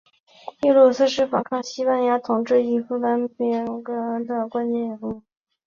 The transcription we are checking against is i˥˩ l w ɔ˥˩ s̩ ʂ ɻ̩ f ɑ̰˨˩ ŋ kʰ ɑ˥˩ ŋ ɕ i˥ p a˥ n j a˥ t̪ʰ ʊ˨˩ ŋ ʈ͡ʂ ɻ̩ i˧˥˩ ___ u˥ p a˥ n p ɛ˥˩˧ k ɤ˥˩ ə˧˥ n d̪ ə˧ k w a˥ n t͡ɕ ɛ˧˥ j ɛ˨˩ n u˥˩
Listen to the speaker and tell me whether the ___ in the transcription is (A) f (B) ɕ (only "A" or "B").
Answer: A